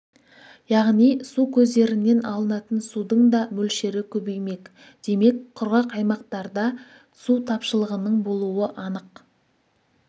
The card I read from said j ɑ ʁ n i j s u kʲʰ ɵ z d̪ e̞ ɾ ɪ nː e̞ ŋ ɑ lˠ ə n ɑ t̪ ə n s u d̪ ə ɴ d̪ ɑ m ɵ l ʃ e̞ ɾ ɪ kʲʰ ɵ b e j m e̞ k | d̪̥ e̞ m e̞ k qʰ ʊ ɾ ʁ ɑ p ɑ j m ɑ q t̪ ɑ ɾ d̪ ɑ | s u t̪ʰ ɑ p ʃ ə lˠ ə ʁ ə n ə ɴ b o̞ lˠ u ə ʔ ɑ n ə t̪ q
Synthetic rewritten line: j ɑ ʁ n i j s u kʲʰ ɵ z d̪ e̞ ɾ ɪ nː e̞ n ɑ lˠ ə n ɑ t̪ ə n s u d̪ ə ɴ d̪ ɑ m ɵ l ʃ e̞ ɾ ɪ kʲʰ ɵ b e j m e̞ k | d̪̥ e̞ m e̞ k qʰ ʊ ɾ ʁ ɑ q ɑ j m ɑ q t̪ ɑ ɾ d̪ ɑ | s u t̪ʰ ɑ p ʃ ə lˠ ə ʁ ə n ə ɴ b o̞ lˠ u ə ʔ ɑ n ə q